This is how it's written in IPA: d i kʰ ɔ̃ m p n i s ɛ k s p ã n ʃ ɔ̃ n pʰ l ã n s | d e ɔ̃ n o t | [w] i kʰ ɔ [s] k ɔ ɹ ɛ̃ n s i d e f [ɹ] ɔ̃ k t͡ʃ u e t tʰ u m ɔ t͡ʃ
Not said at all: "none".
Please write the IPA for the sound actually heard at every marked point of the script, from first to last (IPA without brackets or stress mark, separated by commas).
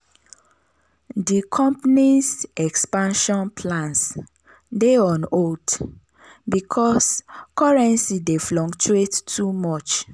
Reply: b, s, l